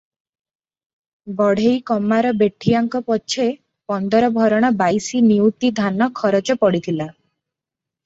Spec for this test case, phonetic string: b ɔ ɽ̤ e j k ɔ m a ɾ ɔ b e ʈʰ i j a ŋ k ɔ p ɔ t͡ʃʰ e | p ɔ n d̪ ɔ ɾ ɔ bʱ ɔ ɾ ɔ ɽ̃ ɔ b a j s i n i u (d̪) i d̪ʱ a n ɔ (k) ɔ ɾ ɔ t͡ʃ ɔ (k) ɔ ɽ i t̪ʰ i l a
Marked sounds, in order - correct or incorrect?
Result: incorrect: t̪, incorrect: kʰ, incorrect: p

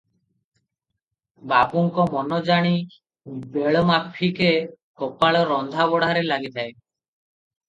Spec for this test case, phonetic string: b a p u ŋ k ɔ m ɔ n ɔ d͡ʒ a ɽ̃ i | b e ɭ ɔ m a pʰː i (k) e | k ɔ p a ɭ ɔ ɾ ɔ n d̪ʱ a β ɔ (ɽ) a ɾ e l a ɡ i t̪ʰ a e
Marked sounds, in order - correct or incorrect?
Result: correct, correct

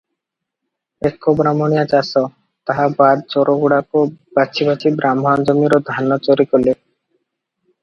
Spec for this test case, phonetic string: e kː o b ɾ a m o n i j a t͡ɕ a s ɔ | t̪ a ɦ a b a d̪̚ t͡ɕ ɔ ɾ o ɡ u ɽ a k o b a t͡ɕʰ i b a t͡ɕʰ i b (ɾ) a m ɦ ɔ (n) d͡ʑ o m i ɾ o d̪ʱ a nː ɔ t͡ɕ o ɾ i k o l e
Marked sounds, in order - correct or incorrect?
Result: correct, correct

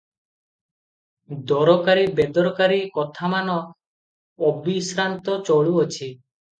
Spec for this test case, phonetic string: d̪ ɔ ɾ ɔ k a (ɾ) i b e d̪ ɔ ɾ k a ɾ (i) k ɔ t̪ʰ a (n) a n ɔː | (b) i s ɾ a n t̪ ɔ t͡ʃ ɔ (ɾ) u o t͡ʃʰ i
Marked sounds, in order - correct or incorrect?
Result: correct, correct, incorrect: m, correct, incorrect: ɭ

